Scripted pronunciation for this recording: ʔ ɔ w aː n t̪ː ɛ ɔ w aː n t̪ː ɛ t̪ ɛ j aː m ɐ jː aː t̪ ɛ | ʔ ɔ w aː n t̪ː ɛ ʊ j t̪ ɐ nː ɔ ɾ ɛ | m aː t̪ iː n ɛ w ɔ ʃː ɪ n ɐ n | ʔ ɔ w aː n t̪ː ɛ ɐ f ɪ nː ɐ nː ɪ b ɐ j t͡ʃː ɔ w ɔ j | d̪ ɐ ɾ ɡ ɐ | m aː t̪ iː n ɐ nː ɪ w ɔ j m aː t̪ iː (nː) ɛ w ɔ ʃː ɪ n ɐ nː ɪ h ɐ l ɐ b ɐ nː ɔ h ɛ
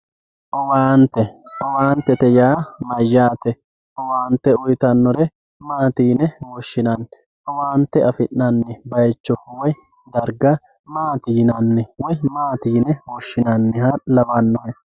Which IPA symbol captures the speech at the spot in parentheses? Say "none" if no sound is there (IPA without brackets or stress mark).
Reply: n